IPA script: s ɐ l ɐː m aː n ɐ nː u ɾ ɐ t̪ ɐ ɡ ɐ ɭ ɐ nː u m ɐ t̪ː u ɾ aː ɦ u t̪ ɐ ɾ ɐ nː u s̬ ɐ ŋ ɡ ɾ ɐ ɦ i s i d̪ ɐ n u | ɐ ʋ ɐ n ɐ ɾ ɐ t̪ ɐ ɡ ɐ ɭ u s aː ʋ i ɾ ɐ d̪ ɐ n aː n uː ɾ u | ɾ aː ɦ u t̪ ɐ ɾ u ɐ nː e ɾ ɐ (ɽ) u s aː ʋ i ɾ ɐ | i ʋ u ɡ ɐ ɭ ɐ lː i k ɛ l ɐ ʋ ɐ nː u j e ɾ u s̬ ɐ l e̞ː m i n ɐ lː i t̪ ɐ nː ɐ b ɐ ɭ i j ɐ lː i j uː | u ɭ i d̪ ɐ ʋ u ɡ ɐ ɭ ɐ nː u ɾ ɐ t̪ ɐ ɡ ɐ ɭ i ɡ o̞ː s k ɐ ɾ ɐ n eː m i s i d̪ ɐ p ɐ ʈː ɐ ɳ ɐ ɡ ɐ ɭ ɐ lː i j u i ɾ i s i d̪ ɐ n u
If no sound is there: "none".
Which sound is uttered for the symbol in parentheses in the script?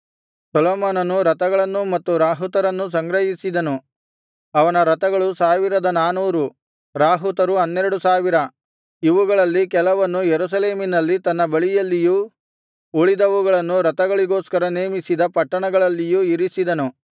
ɽ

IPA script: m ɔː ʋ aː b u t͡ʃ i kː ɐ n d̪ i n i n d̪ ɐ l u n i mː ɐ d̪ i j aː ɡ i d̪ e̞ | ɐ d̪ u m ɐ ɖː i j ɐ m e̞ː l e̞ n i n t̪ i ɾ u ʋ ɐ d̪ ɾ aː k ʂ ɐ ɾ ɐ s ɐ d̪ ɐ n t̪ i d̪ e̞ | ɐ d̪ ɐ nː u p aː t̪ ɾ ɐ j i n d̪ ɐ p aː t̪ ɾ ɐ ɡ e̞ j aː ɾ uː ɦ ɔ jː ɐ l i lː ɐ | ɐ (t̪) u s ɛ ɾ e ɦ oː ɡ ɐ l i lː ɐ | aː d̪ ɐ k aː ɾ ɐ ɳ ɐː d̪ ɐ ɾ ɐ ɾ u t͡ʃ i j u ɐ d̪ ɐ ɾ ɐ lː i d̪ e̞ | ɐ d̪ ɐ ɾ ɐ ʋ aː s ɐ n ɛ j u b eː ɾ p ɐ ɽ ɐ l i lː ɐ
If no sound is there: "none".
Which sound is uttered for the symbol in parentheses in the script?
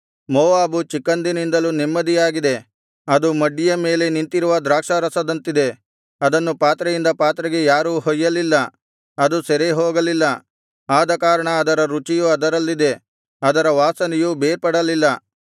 d̪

